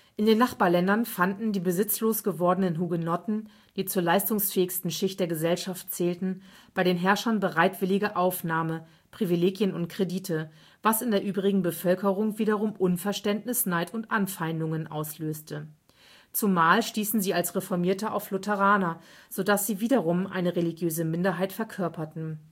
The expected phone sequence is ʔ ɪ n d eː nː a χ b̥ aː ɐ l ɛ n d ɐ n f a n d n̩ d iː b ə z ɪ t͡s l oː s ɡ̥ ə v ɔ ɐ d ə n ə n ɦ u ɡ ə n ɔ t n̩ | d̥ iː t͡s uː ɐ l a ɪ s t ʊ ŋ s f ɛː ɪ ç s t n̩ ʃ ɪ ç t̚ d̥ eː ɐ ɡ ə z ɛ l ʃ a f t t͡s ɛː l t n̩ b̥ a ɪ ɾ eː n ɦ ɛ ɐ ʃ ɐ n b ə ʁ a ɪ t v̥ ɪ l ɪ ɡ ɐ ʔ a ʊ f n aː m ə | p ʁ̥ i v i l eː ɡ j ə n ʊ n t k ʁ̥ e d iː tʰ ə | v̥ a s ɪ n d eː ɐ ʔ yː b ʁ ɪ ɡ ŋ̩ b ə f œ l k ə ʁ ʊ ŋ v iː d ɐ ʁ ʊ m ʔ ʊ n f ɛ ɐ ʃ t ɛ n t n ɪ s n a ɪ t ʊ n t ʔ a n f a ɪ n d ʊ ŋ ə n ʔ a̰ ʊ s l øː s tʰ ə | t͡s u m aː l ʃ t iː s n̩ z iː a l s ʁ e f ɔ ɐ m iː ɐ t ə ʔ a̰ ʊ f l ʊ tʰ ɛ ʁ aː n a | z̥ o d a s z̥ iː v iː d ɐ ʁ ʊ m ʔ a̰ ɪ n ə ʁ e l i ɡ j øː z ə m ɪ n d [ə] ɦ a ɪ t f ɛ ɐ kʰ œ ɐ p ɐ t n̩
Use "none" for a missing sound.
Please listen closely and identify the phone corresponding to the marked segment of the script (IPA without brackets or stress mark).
ɐ